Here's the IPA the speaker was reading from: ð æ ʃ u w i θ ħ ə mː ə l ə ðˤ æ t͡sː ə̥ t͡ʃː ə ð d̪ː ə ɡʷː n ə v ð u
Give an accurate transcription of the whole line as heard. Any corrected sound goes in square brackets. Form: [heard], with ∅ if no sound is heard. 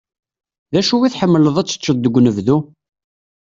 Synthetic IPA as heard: ð æ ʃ u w i θ ħ ə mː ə l ə ðˤ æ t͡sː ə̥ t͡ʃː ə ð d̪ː ə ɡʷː n ə v ð u